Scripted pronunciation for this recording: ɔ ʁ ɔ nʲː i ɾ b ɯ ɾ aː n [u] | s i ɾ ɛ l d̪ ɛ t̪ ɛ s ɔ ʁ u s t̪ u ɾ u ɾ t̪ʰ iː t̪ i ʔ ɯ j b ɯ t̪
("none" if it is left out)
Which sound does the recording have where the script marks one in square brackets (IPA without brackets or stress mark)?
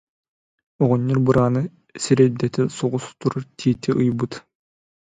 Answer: ɯ